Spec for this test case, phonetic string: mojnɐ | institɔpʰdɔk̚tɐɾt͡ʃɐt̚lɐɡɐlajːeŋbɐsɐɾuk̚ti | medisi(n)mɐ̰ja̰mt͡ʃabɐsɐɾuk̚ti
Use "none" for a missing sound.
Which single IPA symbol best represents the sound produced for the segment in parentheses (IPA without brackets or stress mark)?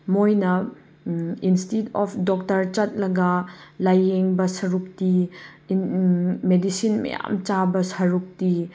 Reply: n